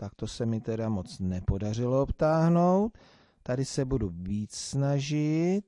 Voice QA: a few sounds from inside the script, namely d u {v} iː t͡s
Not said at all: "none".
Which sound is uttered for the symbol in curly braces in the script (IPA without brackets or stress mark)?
v